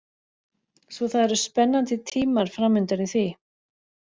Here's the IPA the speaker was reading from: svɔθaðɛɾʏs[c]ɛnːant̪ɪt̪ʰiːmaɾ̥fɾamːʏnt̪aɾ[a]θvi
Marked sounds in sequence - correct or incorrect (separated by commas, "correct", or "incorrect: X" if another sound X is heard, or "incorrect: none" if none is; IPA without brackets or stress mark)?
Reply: incorrect: p, incorrect: i